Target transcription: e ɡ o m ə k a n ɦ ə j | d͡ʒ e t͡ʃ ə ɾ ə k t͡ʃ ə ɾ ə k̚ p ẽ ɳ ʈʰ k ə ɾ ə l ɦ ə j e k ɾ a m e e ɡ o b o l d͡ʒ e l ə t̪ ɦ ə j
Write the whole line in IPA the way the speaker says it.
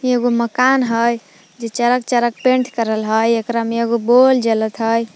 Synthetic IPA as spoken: e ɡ o m ə k a n ɦ ə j | d͡ʒ e t͡ʃ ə ɾ ə k t͡ʃ ə ɾ ə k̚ p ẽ ɳ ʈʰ k ə ɾ ə l ɦ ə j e k ɾ a m e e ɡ o b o l d͡ʒ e l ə t̪ ɦ ə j